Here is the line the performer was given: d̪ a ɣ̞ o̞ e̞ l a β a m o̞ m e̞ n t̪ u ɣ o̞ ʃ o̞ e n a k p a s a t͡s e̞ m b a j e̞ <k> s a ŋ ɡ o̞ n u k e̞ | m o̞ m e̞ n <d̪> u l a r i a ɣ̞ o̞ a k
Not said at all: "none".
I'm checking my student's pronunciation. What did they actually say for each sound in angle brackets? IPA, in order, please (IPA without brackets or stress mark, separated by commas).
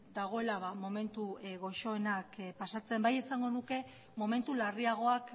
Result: none, t̪